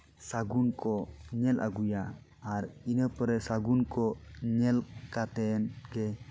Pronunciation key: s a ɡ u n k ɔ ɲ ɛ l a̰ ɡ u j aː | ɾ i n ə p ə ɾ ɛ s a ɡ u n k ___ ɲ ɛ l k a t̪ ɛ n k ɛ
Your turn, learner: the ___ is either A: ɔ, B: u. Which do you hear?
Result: A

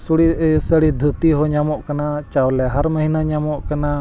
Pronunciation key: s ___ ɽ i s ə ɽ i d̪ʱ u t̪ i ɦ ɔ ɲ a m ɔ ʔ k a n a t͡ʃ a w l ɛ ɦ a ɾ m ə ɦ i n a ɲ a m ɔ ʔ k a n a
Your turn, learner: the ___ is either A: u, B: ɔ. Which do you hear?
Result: A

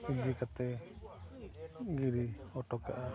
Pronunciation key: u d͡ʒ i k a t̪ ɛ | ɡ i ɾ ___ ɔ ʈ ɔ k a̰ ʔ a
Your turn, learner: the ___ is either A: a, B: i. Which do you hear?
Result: B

